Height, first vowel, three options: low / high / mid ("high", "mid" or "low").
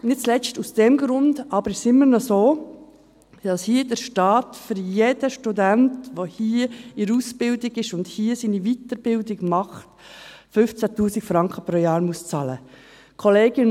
high